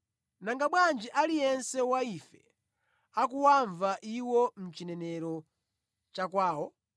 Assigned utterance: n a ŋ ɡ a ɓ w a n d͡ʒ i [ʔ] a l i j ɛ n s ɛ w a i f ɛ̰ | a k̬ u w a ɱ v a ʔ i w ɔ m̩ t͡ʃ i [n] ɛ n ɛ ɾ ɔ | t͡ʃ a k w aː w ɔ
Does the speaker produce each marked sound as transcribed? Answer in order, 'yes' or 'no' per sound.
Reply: yes, yes

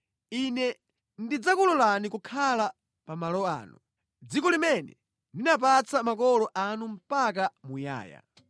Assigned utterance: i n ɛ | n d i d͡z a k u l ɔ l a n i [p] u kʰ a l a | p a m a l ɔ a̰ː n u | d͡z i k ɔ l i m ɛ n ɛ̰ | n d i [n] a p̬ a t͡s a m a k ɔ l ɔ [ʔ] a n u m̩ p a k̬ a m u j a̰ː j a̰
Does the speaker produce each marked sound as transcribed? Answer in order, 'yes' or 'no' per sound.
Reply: no, yes, yes

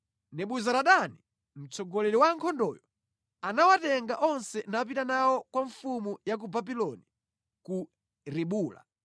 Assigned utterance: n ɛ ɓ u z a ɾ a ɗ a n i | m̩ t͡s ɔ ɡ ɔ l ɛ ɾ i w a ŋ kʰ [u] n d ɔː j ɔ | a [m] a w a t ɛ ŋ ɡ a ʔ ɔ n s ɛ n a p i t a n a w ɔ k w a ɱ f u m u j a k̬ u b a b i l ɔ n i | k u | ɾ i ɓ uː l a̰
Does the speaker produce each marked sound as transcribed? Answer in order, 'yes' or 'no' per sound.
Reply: no, no

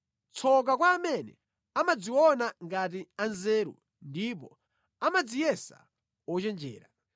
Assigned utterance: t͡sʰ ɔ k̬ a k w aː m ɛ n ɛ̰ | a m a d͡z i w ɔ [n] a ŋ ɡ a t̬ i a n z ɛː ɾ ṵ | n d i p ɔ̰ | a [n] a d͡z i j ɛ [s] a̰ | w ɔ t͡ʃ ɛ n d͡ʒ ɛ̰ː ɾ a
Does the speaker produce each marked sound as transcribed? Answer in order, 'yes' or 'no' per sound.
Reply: yes, no, yes

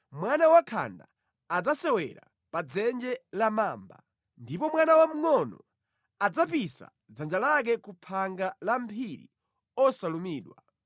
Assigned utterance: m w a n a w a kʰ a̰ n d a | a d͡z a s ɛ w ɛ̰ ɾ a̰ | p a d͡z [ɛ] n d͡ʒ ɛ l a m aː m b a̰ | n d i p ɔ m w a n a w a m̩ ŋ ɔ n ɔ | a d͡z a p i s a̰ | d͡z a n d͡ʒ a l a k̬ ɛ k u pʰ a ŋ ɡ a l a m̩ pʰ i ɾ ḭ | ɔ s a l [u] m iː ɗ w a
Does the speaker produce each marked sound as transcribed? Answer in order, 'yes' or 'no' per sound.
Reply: yes, yes

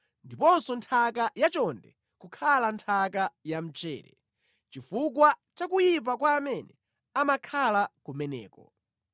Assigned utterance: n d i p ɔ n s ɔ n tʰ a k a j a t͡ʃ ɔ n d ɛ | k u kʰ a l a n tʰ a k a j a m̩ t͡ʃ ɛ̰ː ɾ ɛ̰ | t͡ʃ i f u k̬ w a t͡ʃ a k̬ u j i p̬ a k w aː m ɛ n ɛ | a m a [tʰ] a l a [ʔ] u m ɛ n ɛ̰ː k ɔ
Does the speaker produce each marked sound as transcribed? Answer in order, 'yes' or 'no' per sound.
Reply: no, no

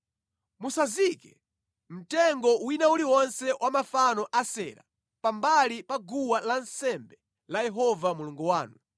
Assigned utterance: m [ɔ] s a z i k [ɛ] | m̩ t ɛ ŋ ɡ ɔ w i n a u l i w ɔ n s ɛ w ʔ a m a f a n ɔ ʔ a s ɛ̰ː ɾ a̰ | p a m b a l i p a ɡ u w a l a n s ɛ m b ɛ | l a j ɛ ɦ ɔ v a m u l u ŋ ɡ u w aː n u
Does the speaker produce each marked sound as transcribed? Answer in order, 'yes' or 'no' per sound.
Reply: no, yes

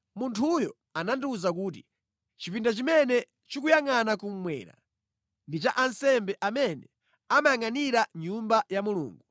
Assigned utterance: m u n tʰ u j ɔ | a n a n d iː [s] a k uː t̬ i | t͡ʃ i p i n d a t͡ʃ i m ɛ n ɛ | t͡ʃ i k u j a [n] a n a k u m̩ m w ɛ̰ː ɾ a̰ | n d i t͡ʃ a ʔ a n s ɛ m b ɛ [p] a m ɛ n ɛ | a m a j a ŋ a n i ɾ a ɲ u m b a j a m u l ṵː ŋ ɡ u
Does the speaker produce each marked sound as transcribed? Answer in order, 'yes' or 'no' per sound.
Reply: no, no, no

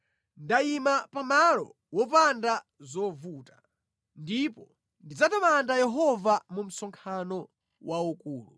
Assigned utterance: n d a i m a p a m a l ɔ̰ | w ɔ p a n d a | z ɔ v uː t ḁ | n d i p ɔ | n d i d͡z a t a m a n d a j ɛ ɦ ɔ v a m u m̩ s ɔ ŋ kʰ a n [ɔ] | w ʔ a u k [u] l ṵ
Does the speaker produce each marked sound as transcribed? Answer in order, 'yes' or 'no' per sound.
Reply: yes, no

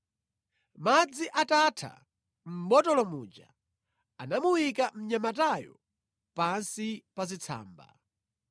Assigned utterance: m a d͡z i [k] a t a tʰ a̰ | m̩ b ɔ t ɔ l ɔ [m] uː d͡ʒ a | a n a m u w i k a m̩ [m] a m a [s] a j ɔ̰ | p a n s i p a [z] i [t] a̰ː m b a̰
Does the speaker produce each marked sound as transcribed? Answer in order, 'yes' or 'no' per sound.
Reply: no, yes, no, no, yes, no

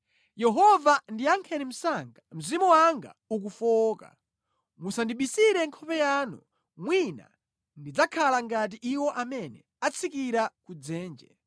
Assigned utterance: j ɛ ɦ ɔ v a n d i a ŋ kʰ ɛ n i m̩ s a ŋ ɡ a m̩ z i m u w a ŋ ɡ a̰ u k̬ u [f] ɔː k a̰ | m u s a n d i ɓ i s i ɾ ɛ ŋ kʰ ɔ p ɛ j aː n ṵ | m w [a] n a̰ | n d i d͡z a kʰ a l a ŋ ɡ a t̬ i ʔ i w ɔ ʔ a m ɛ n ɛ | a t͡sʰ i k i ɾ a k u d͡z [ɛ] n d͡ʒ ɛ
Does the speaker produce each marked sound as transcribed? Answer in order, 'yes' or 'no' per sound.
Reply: yes, no, no

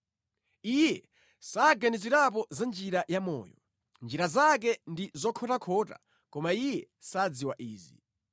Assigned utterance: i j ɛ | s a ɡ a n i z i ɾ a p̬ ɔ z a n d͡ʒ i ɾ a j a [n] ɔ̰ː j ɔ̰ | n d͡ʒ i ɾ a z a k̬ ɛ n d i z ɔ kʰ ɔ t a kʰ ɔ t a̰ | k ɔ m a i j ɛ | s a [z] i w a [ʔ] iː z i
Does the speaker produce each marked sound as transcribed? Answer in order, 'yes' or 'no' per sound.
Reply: no, no, yes

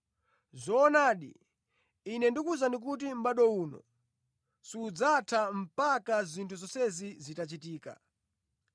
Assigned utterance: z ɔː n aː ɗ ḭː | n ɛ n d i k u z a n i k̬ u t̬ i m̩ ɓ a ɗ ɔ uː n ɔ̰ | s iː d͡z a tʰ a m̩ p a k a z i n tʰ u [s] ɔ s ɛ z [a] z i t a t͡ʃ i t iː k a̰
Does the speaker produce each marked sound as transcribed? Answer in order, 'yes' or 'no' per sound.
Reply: no, no

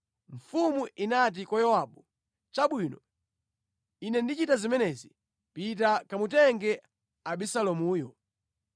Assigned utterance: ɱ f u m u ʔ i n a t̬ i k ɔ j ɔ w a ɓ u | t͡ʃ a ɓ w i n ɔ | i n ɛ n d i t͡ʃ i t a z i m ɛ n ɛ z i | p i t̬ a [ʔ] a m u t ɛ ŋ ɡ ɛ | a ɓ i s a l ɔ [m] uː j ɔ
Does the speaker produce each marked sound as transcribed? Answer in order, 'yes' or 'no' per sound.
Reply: no, yes

